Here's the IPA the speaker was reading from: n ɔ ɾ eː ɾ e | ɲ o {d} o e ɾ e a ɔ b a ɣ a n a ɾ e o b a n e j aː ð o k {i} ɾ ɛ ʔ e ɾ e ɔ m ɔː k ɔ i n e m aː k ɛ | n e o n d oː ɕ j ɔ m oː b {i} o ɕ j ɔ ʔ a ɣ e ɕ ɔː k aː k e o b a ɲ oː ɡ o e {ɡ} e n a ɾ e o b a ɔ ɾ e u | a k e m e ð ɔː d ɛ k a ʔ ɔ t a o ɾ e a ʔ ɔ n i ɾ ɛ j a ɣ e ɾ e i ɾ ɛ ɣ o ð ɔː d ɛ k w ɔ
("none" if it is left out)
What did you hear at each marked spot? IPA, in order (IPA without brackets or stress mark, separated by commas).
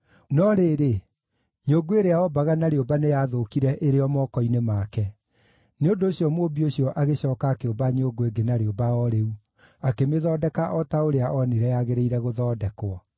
ɡ, i, i, ɡ